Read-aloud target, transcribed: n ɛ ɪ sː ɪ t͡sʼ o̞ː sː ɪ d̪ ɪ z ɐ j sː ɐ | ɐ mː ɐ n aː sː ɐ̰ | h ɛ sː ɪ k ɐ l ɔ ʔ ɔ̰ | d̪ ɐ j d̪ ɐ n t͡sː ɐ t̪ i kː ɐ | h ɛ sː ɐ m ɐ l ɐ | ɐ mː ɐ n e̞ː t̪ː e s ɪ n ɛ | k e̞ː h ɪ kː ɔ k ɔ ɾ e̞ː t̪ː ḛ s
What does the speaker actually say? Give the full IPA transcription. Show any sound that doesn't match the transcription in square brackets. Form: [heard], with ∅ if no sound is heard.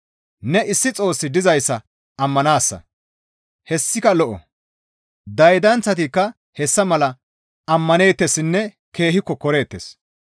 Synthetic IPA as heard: n ɛ ɪ sː ɪ t͡sʼ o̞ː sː ɪ d̪ ɪ z ɐ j sː ɐ | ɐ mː ɐ n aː sː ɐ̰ | h ɛ sː ɪ k ɐ l ɔ ʔ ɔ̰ | d̪ ɐ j d̪ ɐ n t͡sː ɐ t̪ i kː ɐ | h ɛ sː ɐ m ɐ l ɐ | ɐ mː ɐ n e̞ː t̪ː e s ɪ [nː] ɛ | k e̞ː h ɪ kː ɔ k ɔ ɾ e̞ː t̪ː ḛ s